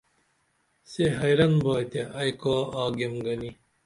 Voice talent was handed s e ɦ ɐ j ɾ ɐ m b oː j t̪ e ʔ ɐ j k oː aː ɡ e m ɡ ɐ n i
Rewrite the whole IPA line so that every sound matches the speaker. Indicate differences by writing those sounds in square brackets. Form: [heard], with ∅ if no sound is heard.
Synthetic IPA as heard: s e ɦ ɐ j ɾ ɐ [n] b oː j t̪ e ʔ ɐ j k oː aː ɡ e m ɡ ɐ n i